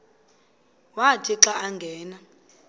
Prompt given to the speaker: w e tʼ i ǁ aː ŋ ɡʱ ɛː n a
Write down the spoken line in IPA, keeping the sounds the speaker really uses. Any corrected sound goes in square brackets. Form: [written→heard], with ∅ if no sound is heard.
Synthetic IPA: w [e→a] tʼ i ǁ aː ŋ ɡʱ ɛː n a